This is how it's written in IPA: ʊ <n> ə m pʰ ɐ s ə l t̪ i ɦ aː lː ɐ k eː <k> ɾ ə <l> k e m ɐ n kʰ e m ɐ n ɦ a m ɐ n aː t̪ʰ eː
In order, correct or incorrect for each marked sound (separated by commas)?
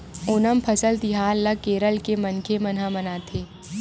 correct, incorrect, correct